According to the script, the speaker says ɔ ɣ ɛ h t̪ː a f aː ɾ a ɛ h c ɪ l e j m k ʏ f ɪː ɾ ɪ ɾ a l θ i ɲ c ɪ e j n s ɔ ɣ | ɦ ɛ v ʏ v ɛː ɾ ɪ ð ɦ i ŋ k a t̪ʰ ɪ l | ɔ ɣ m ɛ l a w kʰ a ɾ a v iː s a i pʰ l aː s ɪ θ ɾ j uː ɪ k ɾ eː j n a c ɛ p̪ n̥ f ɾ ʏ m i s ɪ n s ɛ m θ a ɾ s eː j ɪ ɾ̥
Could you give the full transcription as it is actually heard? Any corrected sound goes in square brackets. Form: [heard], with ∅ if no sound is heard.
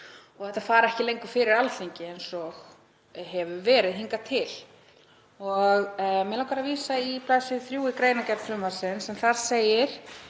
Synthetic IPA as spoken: ɔ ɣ ɛ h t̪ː a f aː ɾ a ɛ h c ɪ l e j [ŋ] k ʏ f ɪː ɾ ɪ ɾ a l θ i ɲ c ɪ e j n s ɔ ɣ | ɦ ɛ v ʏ v ɛː ɾ ɪ ð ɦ i ŋ k a t̪ʰ ɪ l | ɔ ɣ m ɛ l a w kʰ a ɾ a v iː s a i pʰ l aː s ɪ θ ɾ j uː ɪ k ɾ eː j n a c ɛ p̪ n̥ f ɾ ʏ m [a] s ɪ n s ɛ m θ a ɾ s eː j ɪ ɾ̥